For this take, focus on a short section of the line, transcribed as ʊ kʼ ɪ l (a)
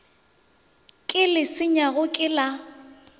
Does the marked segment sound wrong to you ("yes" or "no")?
no